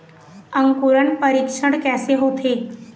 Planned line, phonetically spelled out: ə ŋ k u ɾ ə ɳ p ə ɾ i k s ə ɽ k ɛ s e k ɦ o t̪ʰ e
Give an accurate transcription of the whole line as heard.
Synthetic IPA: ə ŋ k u ɾ ə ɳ p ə ɾ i k ʂ ə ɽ k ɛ s e ɦ o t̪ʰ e